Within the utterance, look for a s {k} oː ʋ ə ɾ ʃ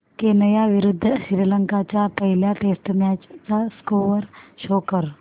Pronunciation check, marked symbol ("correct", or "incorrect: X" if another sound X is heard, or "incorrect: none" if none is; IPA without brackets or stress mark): correct